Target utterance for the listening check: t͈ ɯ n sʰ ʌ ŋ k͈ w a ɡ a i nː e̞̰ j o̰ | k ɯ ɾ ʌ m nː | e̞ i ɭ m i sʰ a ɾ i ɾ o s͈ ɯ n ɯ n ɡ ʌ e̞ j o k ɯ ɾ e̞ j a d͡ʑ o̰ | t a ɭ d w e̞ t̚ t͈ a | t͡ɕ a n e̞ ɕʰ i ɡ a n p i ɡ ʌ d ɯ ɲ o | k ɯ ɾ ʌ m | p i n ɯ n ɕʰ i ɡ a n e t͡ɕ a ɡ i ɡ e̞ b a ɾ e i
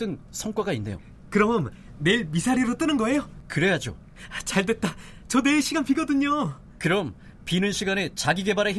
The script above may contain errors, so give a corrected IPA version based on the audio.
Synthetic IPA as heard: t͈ ɯ n sʰ ʌ ŋ k͈ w a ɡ a i nː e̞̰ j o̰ | k ɯ ɾ ʌ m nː | e̞ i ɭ m i sʰ a ɾ i ɾ o t͈ ɯ n ɯ n ɡ ʌ e̞ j o k ɯ ɾ e̞ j a d͡ʑ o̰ | t͡ɕ a ɭ d w e̞ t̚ t͈ a | t͡ɕ ʌ n e̞ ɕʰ i ɡ a n p i ɡ ʌ d ɯ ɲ o | k ɯ ɾ ʌ m | p i n ɯ n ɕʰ i ɡ a n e t͡ɕ a ɡ i ɡ e̞ b a ɾ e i